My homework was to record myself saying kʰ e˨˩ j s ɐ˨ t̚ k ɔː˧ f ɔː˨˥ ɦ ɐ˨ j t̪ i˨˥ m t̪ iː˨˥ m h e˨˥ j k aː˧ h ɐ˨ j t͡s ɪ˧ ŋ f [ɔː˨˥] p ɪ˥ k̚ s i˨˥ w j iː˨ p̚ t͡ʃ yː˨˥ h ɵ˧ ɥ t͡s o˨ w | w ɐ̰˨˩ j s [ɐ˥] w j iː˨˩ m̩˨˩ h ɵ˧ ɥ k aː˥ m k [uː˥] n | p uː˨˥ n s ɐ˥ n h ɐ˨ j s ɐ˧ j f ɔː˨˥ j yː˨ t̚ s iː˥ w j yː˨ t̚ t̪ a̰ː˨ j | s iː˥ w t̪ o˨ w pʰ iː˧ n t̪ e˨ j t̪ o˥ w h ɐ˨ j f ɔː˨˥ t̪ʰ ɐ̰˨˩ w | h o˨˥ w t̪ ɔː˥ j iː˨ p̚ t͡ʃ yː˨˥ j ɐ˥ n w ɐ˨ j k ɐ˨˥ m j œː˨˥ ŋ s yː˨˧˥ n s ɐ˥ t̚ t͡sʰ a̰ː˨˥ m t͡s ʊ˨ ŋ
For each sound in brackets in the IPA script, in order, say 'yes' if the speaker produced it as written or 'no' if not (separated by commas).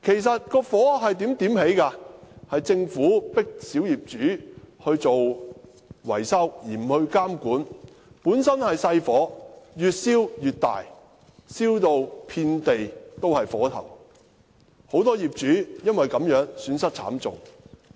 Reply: no, yes, no